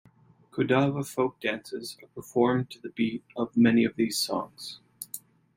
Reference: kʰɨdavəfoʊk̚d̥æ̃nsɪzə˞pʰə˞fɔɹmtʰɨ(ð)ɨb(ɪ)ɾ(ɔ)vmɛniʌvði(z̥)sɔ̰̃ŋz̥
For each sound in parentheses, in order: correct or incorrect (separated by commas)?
correct, incorrect, incorrect, correct